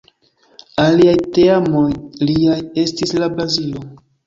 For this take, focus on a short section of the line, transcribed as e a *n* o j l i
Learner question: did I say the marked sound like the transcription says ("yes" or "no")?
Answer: no